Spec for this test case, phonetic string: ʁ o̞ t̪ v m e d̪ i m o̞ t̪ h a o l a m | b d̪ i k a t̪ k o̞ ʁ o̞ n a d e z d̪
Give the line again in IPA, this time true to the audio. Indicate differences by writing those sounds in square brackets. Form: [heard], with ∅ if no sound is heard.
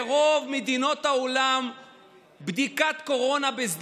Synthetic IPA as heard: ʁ o̞ [∅] v m e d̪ i [n] o̞ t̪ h a o l a m | b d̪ i k a t̪ k o̞ ʁ o̞ n a [b] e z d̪